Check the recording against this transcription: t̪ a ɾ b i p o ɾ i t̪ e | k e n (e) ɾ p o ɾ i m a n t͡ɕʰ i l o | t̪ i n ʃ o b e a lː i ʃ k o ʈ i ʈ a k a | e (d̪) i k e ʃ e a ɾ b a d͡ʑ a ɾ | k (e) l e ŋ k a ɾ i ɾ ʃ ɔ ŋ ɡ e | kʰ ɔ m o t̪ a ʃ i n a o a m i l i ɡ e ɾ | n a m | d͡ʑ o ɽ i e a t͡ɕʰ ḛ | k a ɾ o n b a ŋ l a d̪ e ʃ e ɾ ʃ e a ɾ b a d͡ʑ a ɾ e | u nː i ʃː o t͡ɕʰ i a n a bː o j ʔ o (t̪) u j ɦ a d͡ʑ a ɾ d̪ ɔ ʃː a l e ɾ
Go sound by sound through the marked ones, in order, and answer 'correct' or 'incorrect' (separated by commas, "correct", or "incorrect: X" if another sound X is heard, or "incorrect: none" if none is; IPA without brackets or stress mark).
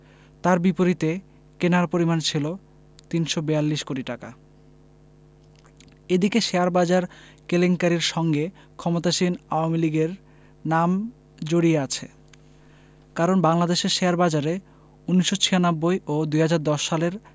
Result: incorrect: a, correct, correct, incorrect: d̪